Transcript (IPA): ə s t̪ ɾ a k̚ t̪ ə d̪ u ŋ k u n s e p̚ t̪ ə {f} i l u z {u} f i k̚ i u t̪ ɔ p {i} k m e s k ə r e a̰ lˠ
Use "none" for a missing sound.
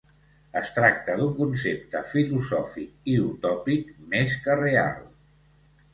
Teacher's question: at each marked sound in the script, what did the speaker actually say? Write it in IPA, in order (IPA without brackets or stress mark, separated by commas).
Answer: f, ɔ, i